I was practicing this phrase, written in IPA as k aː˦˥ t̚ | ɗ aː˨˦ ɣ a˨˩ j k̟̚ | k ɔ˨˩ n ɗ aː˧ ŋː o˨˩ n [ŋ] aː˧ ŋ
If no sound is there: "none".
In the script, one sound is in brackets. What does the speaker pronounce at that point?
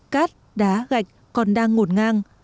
ŋ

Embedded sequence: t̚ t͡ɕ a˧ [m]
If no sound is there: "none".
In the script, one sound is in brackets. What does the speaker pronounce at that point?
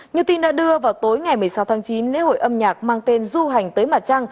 ŋ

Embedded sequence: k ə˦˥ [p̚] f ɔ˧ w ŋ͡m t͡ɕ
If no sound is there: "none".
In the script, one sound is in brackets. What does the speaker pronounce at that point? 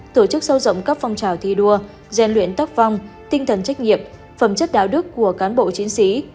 p̚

